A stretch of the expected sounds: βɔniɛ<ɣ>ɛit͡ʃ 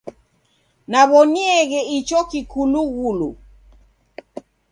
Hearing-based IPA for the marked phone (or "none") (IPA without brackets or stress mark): ɣ